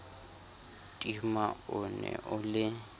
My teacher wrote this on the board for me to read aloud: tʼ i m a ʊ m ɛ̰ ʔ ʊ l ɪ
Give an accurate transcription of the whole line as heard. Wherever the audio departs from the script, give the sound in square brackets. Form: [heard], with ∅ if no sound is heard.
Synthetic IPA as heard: tʼ i m a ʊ [n] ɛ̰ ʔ ʊ l ɪ